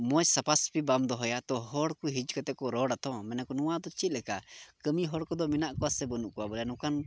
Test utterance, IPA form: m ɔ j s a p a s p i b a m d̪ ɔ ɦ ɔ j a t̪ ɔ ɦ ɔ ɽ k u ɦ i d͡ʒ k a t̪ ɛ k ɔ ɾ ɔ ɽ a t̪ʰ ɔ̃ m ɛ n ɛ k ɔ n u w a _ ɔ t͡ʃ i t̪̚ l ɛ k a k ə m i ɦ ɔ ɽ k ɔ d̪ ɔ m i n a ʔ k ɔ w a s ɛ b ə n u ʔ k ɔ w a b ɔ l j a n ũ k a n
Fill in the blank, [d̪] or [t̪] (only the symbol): d̪